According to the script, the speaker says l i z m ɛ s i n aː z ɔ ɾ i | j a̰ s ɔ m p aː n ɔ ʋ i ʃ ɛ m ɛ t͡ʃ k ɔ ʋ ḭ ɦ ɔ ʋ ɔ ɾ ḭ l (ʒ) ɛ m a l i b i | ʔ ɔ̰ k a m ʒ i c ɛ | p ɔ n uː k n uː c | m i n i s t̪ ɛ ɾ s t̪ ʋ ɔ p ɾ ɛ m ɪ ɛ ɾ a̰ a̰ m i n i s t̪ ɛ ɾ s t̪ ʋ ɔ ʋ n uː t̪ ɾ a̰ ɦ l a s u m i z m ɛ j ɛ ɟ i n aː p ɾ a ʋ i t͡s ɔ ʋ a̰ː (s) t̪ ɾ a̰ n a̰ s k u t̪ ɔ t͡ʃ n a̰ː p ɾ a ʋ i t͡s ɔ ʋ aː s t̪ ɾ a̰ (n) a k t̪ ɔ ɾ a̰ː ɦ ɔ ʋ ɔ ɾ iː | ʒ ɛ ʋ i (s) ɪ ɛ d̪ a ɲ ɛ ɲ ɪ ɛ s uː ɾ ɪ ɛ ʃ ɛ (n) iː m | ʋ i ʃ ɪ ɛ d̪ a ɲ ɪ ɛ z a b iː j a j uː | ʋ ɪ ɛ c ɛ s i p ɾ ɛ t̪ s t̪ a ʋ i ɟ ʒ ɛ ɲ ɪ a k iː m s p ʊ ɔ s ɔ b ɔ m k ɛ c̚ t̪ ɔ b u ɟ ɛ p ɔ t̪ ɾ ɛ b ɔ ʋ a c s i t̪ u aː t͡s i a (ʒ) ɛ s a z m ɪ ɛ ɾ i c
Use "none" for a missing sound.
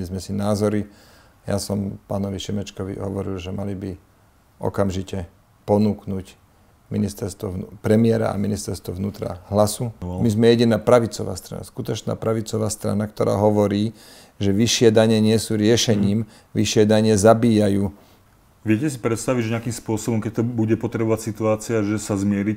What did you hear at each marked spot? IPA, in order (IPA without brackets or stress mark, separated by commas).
ʒ, s, n, ʃ, ɲ, ʒ